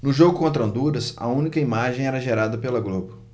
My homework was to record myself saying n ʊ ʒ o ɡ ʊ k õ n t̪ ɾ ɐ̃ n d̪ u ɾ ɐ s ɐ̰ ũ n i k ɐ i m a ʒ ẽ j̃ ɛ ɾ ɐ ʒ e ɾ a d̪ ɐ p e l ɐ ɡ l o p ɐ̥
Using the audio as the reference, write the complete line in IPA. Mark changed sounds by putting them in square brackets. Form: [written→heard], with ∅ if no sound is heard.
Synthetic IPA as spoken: n ʊ ʒ o ɡ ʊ k õ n t̪ ɾ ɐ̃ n d̪ u ɾ ɐ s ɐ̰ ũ n i k ɐ i m a ʒ ẽ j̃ ɛ ɾ ɐ ʒ e ɾ a d̪ ɐ p e l ɐ ɡ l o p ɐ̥